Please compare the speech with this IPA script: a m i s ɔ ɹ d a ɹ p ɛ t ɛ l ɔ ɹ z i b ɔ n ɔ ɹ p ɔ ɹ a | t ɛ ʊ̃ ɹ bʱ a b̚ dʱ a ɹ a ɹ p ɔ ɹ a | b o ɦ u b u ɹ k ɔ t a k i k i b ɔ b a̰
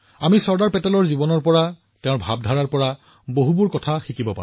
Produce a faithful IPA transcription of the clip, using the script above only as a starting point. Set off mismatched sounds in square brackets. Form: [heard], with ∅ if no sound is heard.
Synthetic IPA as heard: a m i s ɔ ɹ d a ɹ p ɛ t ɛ l ɔ ɹ z i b ɔ n ɔ ɹ p ɔ ɹ a | t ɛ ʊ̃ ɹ bʱ a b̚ dʱ a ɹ a ɹ p ɔ ɹ a | b o ɦ u b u ɹ k ɔ [tʰ] a [x] i k i b ɔ [p] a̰